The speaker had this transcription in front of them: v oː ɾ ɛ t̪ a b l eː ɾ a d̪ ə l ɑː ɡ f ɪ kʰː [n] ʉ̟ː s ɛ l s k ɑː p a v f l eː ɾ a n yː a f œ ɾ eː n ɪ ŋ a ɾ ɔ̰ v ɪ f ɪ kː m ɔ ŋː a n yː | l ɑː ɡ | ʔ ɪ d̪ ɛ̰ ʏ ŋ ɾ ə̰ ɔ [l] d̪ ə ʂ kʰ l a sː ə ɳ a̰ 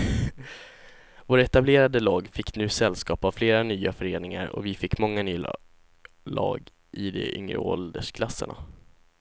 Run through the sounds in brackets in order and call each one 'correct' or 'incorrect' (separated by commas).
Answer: correct, correct